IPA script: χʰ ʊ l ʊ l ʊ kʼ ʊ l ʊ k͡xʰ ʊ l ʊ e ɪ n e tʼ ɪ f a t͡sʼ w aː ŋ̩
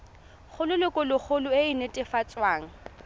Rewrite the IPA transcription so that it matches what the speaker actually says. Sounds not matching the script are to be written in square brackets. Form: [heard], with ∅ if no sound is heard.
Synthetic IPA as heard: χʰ ʊ l ʊ l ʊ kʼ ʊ l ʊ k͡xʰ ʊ l ʊ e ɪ n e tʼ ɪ f a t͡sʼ w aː ŋ̩